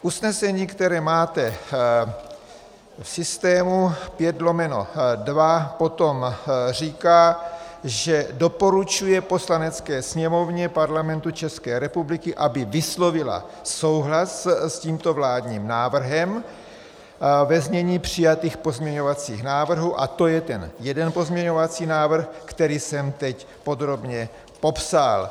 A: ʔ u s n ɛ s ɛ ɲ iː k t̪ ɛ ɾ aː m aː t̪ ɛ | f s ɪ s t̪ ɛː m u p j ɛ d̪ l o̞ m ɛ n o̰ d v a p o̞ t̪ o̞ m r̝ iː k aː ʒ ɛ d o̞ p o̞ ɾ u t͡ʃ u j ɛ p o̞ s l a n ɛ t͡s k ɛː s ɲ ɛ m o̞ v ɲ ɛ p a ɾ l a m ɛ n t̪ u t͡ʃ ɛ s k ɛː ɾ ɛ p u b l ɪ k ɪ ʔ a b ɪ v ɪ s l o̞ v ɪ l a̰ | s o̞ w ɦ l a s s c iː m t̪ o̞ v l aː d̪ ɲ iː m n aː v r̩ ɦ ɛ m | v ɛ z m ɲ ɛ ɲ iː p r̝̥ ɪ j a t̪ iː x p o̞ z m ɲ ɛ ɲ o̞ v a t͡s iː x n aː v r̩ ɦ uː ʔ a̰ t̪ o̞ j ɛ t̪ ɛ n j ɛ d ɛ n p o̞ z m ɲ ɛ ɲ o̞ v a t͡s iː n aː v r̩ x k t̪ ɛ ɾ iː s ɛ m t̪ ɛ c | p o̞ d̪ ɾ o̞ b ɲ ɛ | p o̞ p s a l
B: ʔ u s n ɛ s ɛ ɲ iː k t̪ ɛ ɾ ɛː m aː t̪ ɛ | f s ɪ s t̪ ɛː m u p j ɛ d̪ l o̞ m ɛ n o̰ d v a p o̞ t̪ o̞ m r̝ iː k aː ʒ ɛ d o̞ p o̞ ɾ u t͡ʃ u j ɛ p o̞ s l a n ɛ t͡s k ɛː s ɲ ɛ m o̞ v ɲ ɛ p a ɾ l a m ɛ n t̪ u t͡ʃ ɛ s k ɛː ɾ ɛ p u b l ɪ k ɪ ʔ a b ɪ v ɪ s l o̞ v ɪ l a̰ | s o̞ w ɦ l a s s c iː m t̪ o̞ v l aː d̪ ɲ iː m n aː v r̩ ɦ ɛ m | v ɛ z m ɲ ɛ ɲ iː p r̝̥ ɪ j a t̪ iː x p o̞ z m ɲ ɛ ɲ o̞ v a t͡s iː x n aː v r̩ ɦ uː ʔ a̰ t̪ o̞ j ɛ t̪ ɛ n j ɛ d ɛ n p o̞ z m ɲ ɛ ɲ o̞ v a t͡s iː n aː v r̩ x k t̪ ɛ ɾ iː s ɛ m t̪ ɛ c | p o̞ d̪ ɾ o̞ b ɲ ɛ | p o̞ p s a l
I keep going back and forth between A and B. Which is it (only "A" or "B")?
B